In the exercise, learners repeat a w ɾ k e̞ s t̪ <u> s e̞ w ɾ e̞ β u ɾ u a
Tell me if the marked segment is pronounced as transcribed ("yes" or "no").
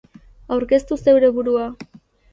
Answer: yes